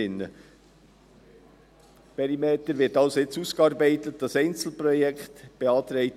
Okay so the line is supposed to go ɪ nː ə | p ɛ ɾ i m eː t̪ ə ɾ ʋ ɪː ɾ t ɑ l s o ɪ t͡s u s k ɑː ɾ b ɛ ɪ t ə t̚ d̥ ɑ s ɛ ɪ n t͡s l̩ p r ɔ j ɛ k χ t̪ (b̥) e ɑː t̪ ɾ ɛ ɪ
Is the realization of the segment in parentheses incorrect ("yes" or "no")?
no